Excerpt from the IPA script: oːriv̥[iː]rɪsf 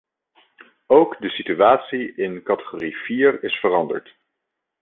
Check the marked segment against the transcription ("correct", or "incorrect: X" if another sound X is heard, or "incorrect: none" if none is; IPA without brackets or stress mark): correct